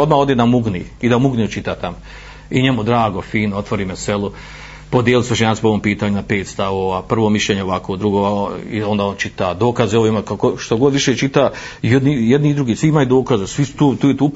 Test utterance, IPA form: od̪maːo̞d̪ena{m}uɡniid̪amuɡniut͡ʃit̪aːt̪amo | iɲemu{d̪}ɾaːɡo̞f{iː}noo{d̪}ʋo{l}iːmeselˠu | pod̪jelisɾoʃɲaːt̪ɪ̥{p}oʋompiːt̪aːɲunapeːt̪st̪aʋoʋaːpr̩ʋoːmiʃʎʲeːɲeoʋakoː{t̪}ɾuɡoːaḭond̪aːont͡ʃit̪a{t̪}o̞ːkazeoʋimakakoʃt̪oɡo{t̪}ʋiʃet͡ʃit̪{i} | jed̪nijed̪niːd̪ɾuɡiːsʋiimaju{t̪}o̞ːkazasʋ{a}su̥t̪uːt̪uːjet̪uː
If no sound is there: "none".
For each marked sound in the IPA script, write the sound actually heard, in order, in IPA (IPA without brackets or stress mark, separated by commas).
m, d̪, iː, t̪, ɾ, p, d̪, d̪, d̪, a, d̪, i